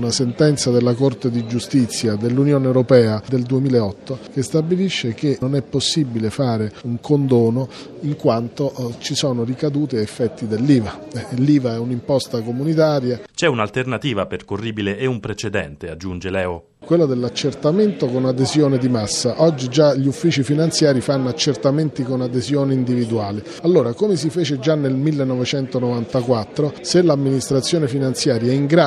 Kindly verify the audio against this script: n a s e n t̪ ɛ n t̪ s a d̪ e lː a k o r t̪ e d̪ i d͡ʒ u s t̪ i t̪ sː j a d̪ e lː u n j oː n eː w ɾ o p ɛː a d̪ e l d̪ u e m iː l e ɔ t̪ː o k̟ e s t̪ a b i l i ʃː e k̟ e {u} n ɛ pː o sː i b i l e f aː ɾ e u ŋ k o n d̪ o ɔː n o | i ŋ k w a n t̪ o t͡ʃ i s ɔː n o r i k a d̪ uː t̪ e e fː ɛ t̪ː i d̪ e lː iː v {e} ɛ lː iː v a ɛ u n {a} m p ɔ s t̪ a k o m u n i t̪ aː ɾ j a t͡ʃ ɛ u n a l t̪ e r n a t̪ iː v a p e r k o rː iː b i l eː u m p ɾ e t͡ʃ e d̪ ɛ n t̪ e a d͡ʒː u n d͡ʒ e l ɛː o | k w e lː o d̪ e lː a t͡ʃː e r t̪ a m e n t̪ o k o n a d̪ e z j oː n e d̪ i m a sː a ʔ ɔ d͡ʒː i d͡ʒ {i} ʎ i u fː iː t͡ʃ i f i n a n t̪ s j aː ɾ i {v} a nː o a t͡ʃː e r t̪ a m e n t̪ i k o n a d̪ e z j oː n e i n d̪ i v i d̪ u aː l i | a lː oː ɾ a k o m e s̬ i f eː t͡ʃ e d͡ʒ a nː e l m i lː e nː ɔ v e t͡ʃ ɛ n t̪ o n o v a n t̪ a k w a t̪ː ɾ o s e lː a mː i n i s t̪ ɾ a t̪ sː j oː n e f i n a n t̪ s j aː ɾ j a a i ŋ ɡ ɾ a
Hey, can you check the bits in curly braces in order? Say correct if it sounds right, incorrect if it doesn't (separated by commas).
incorrect, incorrect, incorrect, incorrect, incorrect